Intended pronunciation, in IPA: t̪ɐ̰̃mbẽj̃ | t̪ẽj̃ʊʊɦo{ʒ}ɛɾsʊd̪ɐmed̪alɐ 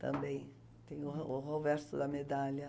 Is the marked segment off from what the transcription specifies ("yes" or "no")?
yes